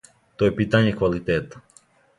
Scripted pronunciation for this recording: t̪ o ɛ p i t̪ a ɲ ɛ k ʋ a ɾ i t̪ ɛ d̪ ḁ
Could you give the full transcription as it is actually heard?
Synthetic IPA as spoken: t̪ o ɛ p i t̪ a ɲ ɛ k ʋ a l i t̪ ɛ t̪ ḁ

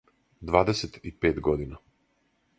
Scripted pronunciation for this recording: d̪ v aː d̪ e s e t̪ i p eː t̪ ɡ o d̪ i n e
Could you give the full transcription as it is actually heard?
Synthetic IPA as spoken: d̪ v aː d̪ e s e t̪ i p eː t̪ ɡ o d̪ i n a

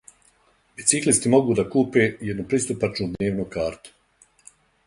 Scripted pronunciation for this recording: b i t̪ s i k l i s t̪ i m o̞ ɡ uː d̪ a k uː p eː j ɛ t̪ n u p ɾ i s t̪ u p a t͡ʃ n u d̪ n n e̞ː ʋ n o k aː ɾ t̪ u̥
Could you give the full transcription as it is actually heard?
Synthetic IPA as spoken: b i t̪ s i k l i s t̪ i m o̞ ɡ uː d̪ a k uː p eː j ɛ d̪ n u p ɾ i s t̪ u p a t͡ʃ n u d̪ n n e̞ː ʋ n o k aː ɾ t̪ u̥

